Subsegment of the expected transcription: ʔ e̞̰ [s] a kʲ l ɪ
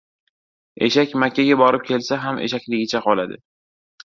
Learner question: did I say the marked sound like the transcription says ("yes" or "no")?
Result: no